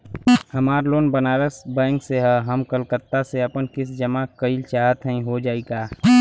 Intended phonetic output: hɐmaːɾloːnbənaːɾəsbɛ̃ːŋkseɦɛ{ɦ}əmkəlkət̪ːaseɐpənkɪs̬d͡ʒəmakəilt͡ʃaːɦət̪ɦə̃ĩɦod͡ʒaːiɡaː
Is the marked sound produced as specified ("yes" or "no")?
yes